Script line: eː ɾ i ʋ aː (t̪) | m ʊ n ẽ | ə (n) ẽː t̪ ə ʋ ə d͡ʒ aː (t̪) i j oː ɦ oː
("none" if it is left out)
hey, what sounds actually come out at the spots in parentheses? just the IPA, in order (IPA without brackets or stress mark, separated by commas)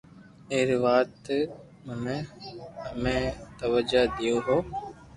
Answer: t̪, m, d̪